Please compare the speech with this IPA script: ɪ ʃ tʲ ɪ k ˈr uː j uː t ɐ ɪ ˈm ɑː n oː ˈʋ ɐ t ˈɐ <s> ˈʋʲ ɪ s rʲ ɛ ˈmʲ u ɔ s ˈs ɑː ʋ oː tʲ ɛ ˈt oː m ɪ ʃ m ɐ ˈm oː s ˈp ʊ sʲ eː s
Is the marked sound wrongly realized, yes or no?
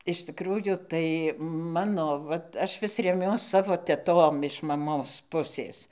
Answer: yes